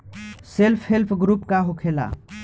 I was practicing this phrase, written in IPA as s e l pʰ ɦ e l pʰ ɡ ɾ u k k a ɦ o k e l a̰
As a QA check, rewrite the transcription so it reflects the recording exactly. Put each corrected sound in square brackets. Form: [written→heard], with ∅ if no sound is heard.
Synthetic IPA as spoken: s e l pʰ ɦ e l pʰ ɡ ɾ u [k→p] k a ɦ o [k→kʰ] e l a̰